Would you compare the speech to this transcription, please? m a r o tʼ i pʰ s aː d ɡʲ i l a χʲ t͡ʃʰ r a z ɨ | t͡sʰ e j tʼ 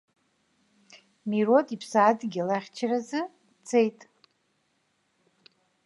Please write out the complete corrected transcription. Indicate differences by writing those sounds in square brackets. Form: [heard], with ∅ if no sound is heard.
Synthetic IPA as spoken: m [i] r o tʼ i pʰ s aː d ɡʲ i l a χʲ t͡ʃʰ r a z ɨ | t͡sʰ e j tʼ